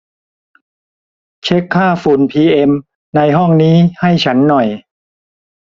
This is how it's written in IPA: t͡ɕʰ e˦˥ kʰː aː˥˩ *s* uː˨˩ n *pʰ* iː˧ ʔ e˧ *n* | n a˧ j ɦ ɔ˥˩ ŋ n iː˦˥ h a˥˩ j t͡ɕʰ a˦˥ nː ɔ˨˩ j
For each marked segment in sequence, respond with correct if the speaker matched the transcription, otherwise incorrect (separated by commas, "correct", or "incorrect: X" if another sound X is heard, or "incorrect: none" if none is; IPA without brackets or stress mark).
incorrect: f, correct, incorrect: m